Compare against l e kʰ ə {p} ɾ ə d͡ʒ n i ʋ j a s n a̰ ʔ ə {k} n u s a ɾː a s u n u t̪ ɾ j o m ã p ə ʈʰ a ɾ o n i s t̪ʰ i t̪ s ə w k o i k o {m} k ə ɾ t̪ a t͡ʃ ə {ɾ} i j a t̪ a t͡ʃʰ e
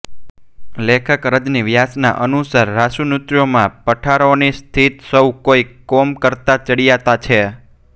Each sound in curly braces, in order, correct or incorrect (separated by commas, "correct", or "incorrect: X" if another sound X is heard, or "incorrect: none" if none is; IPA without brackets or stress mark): incorrect: k, incorrect: none, correct, incorrect: ɽ